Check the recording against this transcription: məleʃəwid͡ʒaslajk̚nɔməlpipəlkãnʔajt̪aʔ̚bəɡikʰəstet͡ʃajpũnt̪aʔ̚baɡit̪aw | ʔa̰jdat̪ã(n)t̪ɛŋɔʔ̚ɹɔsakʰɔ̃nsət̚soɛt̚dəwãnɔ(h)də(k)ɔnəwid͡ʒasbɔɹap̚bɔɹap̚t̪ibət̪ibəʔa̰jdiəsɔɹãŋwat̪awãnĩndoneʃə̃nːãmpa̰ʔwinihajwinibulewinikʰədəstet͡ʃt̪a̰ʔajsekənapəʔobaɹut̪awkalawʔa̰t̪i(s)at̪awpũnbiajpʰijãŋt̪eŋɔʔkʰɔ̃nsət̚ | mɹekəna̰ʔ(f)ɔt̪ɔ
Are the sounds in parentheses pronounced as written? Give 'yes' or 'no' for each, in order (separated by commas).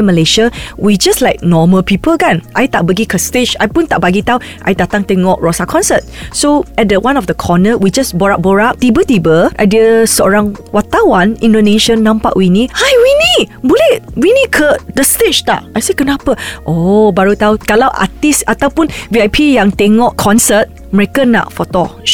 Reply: no, no, no, yes, yes